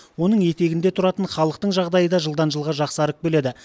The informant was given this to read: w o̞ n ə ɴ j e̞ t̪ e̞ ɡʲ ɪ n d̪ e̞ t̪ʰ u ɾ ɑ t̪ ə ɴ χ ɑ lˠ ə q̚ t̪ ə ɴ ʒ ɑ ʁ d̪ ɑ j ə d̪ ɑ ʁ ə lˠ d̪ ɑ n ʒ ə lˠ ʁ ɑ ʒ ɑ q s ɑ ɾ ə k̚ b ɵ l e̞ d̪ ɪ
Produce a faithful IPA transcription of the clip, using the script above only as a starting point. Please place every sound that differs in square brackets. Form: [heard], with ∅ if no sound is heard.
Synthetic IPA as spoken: w o̞ n ə ɴ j e̞ t̪ e̞ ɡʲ ɪ n d̪ e̞ t̪ʰ [ʊ] ɾ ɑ t̪ ə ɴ χ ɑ lˠ ə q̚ t̪ ə ɴ ʒ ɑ ʁ d̪ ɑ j ə d̪ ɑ [ʒ] ə lˠ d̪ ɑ n ʒ ə lˠ ʁ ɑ ʒ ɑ q s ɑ ɾ ə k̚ b ɵ l e̞ d̪ ɪ